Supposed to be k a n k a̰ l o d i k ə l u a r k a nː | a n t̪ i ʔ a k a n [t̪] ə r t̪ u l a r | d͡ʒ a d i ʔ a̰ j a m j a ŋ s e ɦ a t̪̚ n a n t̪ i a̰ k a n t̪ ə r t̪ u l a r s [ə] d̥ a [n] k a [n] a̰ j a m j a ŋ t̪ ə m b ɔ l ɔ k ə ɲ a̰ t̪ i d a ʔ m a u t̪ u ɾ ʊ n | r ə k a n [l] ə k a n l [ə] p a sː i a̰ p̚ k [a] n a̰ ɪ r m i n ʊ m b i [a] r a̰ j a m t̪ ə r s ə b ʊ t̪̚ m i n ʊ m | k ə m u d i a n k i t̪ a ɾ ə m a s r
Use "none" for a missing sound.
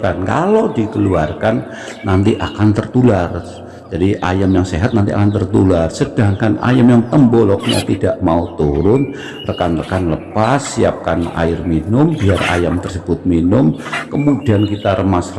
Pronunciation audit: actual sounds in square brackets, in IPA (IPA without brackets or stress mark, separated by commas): t̪, ə, ŋ, n, r, ə, a, a